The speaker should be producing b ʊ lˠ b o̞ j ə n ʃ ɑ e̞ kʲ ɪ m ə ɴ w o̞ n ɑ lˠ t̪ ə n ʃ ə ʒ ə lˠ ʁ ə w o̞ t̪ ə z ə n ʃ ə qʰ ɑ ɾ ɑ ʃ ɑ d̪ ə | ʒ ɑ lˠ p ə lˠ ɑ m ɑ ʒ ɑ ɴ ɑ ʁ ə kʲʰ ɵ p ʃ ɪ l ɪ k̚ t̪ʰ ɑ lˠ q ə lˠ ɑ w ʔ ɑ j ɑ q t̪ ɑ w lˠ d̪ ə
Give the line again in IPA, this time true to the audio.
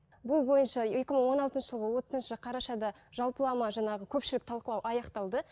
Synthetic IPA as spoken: b ʊ lˠ b o̞ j ə n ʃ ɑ e̞ kʲ ɪ m ə ɴ w o̞ n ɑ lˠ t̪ ə n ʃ ə ʒ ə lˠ ʁ ə w o̞ t̪ ə z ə n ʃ ə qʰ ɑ ɾ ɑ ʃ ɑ d̪ ɑ | ʒ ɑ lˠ p ə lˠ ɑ m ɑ ʒ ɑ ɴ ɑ ʁ ə kʲʰ ɵ p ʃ ɪ l ɪ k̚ t̪ʰ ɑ lˠ q ə lˠ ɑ w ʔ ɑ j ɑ q t̪ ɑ lˠ d̪ ə